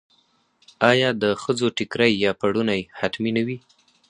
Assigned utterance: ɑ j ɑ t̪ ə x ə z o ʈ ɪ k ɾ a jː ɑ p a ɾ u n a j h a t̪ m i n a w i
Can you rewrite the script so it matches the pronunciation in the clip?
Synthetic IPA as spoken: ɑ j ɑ d̪ ə x ə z o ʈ ɪ k ɾ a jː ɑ p a ɽ u n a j h a t̪ m i n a w i

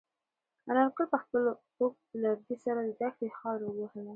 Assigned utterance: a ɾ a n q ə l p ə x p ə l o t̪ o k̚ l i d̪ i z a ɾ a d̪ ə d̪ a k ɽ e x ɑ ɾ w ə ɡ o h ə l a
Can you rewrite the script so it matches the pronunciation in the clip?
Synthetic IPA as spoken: a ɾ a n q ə l p ə x p ə l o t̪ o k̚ l a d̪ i s a ɾ a d̪ ə d̪ a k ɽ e x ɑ ɾ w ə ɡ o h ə l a

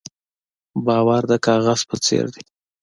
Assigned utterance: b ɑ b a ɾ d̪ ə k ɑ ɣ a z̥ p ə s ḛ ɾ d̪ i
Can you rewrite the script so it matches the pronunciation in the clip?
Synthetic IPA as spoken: b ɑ w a ɾ d̪ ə k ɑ ɣ a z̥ p ə t͡s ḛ ɾ d̪ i

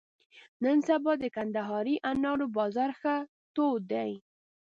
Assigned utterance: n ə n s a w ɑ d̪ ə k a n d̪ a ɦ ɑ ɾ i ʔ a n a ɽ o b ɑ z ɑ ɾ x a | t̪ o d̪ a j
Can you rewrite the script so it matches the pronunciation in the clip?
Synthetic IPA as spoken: n ə n s a b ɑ d̪ ə k a n d̪ a ɦ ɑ ɾ i ʔ a n ɑ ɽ o b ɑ z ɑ ɾ x a | t̪ o d̪ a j

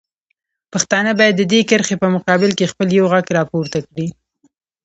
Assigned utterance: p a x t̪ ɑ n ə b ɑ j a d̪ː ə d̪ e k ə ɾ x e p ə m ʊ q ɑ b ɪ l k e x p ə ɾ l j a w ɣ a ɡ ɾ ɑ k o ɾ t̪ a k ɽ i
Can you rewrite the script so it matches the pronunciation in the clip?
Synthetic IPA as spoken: p a x t̪ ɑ n ə b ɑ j a d̪ː ə d̪ e k ə ɾ x e p ə m ʊ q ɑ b ɪ l k e x p ə l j a w ɣ a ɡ ɾ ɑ p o ɾ t̪ a k ɽ i

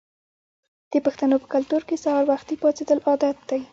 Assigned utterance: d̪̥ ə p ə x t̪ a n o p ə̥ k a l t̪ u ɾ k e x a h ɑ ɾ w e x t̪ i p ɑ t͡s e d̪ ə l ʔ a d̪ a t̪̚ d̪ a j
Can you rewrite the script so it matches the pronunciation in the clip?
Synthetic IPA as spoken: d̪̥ ə p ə x t̪ a n o p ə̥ k a l t̪ u ɾ k e s a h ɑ ɾ w a x t̪ i p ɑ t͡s e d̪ ə l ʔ ɑ d̪ a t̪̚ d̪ a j

